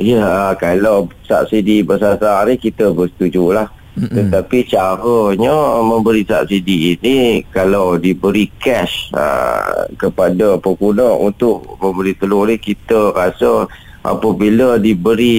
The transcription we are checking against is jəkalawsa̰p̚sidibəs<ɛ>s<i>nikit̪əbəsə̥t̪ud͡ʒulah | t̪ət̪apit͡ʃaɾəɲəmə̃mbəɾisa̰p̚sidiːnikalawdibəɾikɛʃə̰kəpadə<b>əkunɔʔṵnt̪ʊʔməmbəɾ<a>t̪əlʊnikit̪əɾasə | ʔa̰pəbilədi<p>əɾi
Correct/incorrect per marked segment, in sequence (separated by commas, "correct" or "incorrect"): incorrect, incorrect, incorrect, incorrect, incorrect